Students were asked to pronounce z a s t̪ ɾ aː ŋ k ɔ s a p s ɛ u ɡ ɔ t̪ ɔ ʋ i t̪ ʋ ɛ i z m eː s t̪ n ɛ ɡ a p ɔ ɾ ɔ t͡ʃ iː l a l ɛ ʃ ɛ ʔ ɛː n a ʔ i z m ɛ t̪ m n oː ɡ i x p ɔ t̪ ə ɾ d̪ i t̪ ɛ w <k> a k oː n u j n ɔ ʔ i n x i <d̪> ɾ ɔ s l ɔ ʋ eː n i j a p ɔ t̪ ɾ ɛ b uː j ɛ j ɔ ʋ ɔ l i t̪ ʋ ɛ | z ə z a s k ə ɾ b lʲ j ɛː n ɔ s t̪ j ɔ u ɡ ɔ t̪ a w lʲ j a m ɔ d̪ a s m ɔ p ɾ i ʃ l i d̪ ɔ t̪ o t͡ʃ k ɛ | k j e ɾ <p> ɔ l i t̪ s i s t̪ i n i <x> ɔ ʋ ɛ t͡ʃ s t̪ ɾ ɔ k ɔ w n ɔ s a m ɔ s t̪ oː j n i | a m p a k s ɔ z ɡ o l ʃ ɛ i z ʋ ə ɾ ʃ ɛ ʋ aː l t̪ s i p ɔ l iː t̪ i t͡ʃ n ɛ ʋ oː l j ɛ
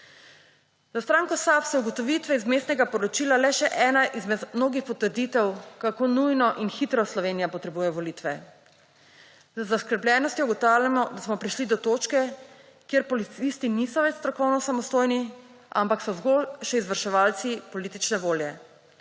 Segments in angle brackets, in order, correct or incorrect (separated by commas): correct, incorrect, correct, incorrect